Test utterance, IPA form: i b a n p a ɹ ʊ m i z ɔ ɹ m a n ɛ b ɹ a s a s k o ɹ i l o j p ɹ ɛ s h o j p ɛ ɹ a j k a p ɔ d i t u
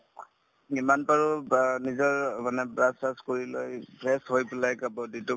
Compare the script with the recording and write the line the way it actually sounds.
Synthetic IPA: i m a n p a ɹ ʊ n i z ɔ ɹ m a n ɛ b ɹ a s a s k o ɹ i l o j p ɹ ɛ s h o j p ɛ l a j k a b ɔ d i t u

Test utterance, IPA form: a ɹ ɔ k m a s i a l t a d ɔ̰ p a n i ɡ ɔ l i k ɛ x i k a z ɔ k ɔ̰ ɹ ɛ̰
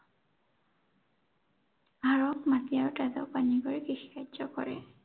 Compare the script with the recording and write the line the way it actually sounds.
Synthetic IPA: a ɹ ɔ k m a t i a ɹ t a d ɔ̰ p a n i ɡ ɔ ɹ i k i x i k a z ɔ k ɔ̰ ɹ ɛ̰

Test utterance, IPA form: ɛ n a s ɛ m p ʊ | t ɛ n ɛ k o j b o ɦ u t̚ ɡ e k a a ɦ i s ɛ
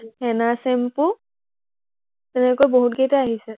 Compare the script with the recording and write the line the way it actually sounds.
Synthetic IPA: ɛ n a s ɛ m p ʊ | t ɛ n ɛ k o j b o ɦ u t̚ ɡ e t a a ɦ i s ɛ

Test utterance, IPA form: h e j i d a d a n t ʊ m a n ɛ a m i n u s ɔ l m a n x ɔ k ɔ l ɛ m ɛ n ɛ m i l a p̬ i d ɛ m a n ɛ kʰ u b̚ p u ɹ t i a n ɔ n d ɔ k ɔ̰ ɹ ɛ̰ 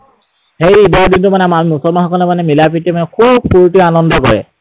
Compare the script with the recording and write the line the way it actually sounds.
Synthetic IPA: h e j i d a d i n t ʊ m a n ɛ a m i m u s ɔ l m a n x ɔ k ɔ l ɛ m a n ɛ m i l a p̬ i t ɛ m a n ɛ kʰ u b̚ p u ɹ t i a n ɔ n d ɔ k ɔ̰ ɹ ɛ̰

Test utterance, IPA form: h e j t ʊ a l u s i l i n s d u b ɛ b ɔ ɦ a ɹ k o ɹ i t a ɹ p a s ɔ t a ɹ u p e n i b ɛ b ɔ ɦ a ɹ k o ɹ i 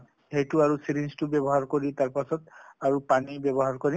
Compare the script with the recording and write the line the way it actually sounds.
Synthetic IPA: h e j t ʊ a ɹ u s i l i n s t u b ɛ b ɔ ɦ a ɹ k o ɹ i t a ɹ p a s ɔ t a ɹ u p a n i b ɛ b ɔ ɦ a ɹ k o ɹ i

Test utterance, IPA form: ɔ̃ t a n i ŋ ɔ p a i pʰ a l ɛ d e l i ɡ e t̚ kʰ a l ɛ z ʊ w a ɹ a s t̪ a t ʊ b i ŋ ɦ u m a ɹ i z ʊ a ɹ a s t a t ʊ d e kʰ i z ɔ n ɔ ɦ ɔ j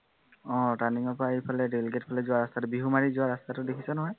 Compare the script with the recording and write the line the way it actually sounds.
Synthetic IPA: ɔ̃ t a n i ŋ ɔ p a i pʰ a l ɛ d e l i ɡ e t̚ pʰ a l ɛ z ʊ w a ɹ a s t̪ a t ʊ b i ɦ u m a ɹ i z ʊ a ɹ a s t a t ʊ d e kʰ i s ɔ n ɔ ɦ ɔ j

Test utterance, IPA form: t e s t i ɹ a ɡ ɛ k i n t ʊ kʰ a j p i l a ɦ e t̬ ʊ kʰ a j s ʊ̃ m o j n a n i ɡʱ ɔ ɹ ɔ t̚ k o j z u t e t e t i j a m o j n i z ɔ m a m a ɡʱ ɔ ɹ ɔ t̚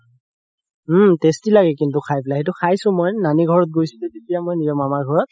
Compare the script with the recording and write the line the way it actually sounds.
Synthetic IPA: t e s t i l a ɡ ɛ k i n t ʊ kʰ a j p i l a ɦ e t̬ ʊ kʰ a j s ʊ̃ m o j n a n i ɡʱ ɔ ɹ ɔ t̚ ɡ o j s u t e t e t i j a m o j n i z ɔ m a m a ɡʱ ɔ ɹ ɔ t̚

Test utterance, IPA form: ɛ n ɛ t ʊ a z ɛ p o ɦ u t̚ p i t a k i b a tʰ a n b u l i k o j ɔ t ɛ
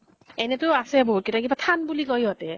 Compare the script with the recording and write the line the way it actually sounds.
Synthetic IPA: ɛ n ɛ t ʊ a s ɛ b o ɦ u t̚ k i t a k i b a tʰ a n b u l i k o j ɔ t ɛ

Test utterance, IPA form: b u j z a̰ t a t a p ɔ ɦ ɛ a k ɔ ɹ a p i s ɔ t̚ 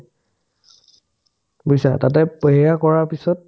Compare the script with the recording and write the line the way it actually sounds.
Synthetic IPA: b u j s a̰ t a t ɛ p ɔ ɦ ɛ a k ɔ ɹ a p i s ɔ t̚

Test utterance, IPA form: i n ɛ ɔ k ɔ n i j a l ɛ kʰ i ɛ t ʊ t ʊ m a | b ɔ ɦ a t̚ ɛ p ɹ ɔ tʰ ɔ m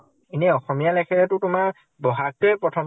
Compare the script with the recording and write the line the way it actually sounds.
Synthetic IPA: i n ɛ ɔ x ɔ m i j a l ɛ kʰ ɛ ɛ t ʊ t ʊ m a | b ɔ ɦ a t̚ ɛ p ɹ ɔ tʰ ɔ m

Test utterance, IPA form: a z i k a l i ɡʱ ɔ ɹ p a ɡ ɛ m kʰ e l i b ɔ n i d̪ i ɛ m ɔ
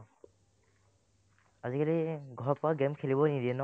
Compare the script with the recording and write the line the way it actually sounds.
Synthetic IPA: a z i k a l i ɡʱ ɔ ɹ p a ɡ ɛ m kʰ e l i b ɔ n i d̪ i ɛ n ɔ

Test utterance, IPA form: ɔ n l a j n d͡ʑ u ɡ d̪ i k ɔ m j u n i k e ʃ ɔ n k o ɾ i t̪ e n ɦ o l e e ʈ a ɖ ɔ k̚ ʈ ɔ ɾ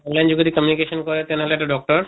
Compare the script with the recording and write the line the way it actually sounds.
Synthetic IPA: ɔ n l a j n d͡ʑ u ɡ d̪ i k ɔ m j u n i k e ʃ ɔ n k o ɾ e t̪ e n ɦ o l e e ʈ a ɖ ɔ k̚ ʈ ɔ ɾ

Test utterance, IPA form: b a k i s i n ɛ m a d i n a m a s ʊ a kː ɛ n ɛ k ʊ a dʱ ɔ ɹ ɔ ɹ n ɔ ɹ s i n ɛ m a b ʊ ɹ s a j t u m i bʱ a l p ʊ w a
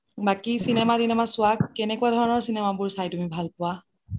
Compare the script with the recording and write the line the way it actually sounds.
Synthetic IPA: b a k i s i n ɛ m a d i n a m a s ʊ a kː ɛ n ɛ k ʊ a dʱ ɔ ɹ ɔ n ɔ ɹ s i n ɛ m a b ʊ ɹ s a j t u m i bʱ a l p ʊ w a

